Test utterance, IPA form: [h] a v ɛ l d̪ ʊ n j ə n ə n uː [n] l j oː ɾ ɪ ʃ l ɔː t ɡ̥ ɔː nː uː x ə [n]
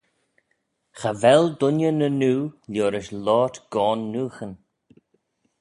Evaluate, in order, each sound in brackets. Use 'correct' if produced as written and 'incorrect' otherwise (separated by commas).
incorrect, incorrect, correct